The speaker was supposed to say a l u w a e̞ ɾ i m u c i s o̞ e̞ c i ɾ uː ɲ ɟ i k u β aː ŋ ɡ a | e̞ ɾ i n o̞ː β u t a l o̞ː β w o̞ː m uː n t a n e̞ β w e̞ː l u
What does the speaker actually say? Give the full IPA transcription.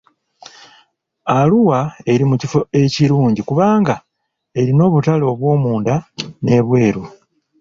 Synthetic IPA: a l u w a e̞ ɾ i m u c i f o̞ e̞ c i ɾ uː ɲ ɟ i k u β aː ŋ ɡ a | e̞ ɾ i n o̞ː β u t a l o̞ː β w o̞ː m uː n d a n e̞ β w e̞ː ɾ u